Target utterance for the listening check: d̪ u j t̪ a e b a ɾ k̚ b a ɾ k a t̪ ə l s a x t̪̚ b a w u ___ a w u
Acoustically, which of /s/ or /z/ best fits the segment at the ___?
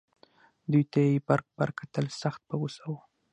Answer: s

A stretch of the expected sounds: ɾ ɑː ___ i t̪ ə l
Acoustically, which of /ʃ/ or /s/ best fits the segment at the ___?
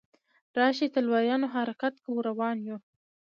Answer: ʃ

